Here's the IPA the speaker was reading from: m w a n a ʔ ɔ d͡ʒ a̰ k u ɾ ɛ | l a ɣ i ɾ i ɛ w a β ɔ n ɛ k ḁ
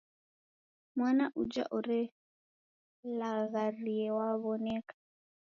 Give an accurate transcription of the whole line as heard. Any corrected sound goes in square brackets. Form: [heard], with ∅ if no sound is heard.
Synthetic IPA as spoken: m w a n a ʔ [u] d͡ʒ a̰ [ʔ] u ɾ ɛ | l a ɣ [a] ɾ i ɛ w a β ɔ n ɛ k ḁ